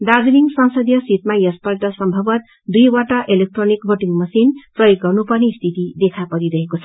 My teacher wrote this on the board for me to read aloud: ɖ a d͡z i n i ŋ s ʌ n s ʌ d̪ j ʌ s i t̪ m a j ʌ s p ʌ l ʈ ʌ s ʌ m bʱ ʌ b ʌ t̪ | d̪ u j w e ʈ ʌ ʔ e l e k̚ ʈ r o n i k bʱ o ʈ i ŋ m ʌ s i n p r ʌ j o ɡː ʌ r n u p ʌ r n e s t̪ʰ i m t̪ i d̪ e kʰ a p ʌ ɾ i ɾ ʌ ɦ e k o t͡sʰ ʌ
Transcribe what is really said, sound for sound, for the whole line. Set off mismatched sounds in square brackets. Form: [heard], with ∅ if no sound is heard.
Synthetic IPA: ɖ a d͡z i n i ŋ s ʌ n s ʌ d̪ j ʌ s i t̪ m a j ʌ s p ʌ l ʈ ʌ s ʌ m bʱ ʌ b ʌ t̪ | d̪ u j w [a] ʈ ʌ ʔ e l e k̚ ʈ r o n i k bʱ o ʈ i ŋ m ʌ s i n p r ʌ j o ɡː ʌ r n u p ʌ r n e s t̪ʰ i [∅] t̪ i d̪ e kʰ a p ʌ ɾ i ɾ ʌ ɦ e k o t͡sʰ ʌ